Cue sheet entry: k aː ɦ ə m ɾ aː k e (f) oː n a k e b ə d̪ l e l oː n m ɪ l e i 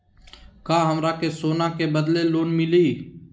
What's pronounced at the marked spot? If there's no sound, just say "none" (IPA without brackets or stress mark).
s